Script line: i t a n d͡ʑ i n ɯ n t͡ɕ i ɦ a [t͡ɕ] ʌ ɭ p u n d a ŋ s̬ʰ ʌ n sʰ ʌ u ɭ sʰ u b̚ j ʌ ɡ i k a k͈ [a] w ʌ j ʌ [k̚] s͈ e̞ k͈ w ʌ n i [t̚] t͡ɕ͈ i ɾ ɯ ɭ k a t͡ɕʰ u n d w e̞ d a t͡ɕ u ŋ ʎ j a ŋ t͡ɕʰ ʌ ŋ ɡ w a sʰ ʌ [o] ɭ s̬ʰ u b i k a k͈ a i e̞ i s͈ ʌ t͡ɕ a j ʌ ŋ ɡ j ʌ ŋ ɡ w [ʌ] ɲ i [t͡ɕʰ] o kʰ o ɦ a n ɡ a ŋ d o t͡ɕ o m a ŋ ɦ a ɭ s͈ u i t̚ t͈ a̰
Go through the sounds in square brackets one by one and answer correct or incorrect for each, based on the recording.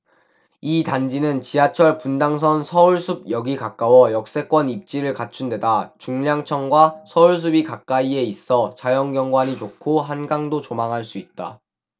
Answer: incorrect: t͡ɕʰ, correct, correct, incorrect: p̚, incorrect: u, incorrect: a, incorrect: t͡ɕ

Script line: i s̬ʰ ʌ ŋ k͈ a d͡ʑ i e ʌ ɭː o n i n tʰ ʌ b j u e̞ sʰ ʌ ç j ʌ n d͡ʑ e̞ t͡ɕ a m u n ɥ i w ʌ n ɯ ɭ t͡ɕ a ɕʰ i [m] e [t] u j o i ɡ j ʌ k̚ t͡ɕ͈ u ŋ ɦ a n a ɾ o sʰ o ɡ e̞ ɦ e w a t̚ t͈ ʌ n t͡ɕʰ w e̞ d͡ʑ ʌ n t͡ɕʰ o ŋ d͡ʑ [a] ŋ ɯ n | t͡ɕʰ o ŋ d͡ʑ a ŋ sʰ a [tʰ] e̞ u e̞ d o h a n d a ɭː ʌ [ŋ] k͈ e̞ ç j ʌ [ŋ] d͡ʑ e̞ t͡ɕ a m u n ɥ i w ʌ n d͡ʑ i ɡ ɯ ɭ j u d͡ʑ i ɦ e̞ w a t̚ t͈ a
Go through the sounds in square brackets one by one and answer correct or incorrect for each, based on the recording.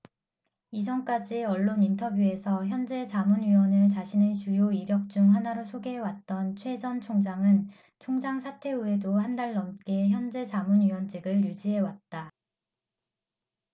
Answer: incorrect: n, incorrect: t͡ɕ, correct, correct, incorrect: m, incorrect: n

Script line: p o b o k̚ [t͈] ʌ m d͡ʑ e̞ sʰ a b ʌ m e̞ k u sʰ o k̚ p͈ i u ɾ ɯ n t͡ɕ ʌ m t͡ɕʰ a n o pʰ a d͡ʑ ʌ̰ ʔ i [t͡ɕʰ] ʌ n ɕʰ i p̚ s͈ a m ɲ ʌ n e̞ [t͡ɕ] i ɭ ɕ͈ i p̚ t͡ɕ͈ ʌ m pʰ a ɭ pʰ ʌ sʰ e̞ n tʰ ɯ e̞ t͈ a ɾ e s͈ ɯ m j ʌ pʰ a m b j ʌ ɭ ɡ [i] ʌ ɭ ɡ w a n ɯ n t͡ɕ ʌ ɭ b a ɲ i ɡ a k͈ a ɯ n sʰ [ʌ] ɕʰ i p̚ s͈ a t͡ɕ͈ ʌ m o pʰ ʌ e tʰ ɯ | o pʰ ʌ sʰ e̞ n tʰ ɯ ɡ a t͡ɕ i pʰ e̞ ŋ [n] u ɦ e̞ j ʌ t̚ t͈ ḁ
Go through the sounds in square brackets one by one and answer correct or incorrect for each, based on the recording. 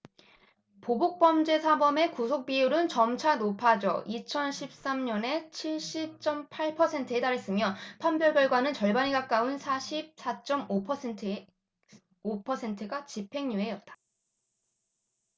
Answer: incorrect: p͈, correct, incorrect: t͡ɕʰ, incorrect: j, incorrect: a, incorrect: ɲ

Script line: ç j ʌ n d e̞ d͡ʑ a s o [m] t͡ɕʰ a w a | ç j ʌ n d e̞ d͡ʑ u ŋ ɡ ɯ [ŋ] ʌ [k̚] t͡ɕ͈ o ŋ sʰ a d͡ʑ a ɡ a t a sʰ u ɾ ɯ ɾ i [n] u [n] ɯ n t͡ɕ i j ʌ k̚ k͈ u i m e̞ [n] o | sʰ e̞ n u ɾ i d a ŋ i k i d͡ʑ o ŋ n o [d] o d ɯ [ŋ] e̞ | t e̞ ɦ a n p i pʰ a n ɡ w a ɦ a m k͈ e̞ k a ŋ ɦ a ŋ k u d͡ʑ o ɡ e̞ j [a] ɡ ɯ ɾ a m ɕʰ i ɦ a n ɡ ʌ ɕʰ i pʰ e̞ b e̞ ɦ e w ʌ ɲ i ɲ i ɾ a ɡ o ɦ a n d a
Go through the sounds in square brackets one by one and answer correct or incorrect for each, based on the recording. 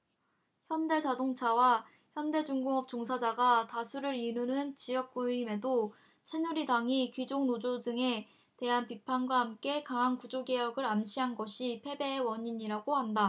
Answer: incorrect: ŋ, correct, incorrect: p̚, correct, correct, incorrect: d, incorrect: d͡ʑ, correct, incorrect: ʌ

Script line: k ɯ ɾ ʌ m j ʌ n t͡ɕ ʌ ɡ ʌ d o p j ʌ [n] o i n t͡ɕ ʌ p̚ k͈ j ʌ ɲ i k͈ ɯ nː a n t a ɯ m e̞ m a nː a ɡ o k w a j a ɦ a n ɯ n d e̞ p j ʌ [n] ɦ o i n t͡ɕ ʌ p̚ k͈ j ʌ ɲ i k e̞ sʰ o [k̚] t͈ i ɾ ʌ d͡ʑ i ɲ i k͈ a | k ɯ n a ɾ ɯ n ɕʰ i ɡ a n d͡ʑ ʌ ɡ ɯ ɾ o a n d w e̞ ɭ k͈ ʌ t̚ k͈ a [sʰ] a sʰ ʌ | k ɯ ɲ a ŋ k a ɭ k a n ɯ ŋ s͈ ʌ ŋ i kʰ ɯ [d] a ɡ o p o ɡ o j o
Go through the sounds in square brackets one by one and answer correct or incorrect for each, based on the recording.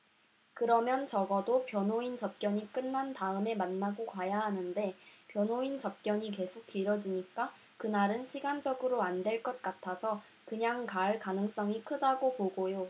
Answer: correct, correct, correct, incorrect: tʰ, correct

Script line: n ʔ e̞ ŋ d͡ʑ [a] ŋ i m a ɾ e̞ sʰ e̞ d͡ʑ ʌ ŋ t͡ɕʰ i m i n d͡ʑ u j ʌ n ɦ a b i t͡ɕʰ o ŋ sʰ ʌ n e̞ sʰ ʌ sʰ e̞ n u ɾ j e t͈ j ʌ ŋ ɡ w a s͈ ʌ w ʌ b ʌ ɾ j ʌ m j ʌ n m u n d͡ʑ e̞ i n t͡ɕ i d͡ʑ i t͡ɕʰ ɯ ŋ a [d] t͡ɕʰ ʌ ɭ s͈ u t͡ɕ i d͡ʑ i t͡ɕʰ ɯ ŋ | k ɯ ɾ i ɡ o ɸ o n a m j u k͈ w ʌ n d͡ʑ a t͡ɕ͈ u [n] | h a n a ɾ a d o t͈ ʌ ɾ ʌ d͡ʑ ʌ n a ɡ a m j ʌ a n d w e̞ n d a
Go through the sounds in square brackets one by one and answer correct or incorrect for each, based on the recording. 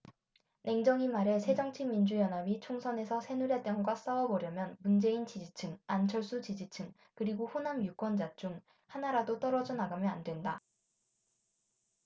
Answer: incorrect: ʌ, incorrect: n, incorrect: ŋ

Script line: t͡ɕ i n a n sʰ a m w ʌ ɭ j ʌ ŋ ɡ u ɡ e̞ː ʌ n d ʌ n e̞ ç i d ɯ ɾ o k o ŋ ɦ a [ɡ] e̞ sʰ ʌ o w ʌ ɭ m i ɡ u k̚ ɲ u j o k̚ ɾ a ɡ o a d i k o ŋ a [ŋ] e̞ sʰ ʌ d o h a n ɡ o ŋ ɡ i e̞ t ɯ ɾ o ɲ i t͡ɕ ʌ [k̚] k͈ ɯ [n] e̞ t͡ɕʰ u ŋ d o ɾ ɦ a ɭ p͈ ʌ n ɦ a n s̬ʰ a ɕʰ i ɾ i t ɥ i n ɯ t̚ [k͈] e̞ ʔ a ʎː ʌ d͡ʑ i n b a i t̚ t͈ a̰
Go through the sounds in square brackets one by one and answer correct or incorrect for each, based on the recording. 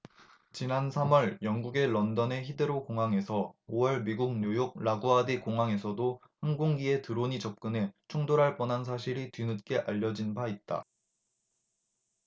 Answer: incorrect: ŋ, correct, incorrect: p̚, correct, correct

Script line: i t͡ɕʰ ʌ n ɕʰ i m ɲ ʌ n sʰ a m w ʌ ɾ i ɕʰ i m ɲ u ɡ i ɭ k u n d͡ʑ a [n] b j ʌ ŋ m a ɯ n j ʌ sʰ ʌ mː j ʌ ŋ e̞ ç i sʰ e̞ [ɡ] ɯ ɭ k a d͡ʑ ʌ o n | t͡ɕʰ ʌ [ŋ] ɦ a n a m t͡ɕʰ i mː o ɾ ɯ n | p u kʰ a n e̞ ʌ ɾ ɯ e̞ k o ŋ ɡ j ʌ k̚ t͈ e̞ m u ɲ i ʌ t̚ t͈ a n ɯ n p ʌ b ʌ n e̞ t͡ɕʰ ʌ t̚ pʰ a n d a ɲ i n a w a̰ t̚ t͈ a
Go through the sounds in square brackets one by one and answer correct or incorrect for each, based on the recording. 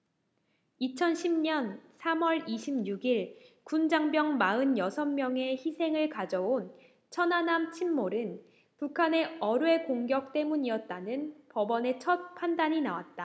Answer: incorrect: ŋ, incorrect: ŋ, incorrect: n

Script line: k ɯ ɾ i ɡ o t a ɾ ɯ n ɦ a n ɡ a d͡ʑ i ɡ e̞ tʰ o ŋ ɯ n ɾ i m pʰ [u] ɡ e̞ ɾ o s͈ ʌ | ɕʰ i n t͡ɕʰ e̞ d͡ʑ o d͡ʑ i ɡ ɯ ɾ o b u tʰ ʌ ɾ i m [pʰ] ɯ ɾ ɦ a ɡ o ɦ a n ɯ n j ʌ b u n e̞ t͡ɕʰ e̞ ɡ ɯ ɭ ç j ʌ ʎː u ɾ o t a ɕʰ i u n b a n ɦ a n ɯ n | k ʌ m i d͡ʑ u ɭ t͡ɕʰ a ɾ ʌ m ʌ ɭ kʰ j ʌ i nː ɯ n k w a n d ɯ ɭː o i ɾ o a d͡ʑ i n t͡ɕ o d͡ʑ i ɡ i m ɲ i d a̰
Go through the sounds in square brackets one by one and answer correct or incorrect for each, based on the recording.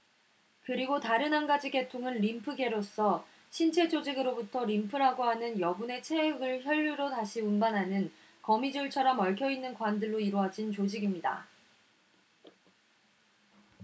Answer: incorrect: ɯ, correct

